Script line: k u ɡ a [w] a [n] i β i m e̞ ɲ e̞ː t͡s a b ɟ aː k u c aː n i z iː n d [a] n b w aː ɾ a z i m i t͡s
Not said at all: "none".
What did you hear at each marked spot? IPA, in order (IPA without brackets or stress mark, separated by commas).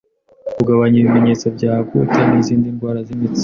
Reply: β, ɲ, i